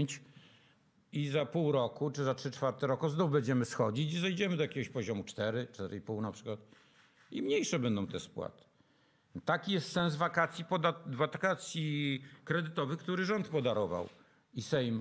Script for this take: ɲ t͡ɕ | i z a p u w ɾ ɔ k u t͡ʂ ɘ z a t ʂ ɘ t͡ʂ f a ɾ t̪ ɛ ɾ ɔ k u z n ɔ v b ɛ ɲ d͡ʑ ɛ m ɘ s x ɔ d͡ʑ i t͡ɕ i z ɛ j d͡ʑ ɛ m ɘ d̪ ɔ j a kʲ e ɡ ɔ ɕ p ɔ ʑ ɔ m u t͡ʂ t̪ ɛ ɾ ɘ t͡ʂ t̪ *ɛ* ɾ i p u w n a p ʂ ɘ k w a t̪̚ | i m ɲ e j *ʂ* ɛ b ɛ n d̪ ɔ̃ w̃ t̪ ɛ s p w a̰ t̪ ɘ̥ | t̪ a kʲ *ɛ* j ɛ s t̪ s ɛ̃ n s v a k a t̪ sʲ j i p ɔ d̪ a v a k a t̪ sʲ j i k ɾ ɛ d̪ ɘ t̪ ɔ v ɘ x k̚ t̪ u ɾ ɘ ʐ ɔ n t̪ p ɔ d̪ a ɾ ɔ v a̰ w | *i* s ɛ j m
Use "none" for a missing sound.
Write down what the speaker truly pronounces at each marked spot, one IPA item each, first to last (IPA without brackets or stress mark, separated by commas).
ɛ, ʂ, i, i